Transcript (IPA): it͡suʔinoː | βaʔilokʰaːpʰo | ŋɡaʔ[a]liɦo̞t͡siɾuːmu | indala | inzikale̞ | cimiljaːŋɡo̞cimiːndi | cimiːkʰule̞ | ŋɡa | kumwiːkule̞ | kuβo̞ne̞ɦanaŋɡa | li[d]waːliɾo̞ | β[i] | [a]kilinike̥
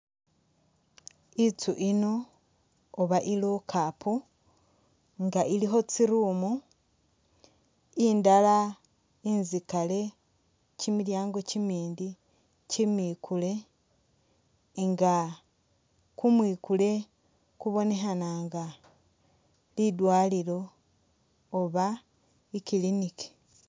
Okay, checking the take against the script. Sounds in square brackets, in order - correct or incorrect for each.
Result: incorrect, correct, incorrect, incorrect

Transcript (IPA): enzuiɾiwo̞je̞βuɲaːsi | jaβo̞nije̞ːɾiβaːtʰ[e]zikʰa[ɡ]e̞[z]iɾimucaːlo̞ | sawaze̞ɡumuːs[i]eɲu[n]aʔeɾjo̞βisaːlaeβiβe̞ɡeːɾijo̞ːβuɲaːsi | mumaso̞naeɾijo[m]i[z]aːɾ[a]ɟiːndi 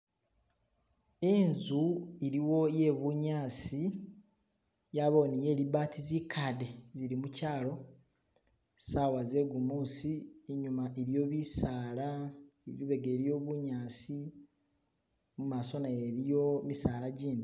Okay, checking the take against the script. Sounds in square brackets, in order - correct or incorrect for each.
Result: incorrect, incorrect, correct, correct, incorrect, correct, incorrect, correct

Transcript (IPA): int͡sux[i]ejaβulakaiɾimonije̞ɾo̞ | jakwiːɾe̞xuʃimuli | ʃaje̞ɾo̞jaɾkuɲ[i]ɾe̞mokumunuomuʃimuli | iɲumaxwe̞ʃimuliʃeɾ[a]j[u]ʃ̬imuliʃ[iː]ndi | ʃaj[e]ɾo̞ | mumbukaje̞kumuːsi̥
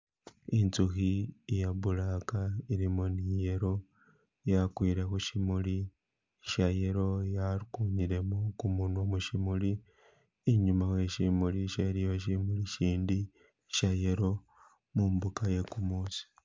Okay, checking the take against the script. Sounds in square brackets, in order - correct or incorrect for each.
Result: correct, correct, incorrect, incorrect, correct, correct

